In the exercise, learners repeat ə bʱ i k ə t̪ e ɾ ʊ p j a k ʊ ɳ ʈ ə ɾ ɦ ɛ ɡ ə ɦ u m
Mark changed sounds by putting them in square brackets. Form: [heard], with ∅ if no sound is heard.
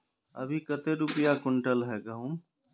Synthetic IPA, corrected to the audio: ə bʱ i k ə t̪ e ɾ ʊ p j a k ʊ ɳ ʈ ə [l] ɦ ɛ ɡ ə ɦ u m